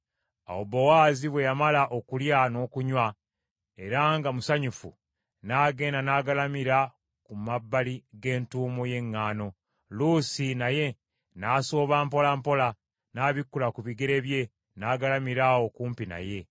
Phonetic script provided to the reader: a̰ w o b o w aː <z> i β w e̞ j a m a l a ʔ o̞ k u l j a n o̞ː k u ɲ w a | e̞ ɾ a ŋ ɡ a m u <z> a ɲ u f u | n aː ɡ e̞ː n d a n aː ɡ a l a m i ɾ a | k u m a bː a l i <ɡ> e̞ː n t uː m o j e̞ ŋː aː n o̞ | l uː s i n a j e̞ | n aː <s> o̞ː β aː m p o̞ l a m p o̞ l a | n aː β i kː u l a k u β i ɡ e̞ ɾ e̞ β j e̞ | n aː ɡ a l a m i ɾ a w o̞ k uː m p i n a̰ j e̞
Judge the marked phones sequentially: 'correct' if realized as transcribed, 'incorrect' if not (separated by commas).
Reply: correct, incorrect, correct, correct